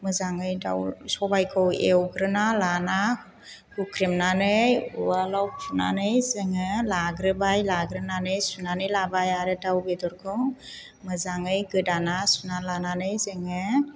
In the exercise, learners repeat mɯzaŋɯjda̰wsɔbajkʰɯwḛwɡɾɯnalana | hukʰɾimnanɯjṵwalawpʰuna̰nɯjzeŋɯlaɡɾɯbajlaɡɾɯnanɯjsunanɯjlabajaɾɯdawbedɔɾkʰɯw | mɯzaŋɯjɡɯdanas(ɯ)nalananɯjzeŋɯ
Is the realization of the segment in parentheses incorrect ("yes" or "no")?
yes